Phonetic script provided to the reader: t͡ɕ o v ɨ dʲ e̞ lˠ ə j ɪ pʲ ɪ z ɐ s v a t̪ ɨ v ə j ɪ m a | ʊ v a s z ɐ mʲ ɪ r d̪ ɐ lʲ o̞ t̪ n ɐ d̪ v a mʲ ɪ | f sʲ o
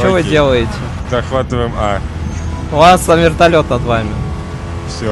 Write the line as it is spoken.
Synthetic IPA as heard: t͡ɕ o v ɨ dʲ e̞ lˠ ə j ɪ tʲ ɪ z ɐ x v a t̪ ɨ v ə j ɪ m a | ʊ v a s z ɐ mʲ ɪ r t̪ ɐ lʲ o̞ t̪ n ɐ d̪ v a mʲ ɪ | f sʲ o